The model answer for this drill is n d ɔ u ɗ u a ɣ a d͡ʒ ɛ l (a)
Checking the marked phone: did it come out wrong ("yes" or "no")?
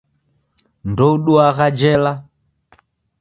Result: no